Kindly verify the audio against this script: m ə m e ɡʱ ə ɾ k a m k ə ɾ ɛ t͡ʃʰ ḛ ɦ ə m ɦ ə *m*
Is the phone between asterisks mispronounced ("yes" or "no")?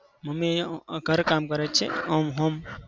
no